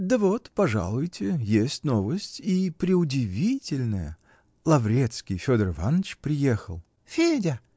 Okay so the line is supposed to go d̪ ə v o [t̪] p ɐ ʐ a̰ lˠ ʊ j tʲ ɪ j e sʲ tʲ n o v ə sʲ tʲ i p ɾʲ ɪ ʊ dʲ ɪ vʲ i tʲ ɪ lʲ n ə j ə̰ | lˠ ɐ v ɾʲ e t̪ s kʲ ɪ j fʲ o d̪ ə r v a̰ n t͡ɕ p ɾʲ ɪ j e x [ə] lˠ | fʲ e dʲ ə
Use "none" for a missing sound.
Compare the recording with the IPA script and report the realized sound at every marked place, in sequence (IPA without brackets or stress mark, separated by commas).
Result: t̪, ə